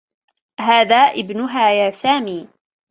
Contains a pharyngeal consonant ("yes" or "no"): no